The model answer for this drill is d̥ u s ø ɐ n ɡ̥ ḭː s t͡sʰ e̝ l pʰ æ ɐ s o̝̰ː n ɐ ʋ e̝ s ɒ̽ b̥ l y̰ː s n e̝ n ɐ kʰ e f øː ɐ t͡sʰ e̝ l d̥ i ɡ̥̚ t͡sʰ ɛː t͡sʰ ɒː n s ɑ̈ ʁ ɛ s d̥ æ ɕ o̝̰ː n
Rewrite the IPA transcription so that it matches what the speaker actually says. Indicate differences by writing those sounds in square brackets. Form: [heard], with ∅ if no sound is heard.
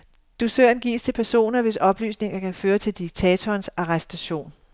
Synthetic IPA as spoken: d̥ u s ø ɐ n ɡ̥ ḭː s t͡sʰ e̝ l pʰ æ ɐ s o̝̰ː n ɐ ʋ e̝ s ɒ̽ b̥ l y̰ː s n e̝ [ŋ] ɐ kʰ [æ] f øː ɐ t͡sʰ e̝ l d̥ i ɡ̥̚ t͡sʰ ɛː t͡sʰ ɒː n s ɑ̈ ʁ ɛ s d̥ æ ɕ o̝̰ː n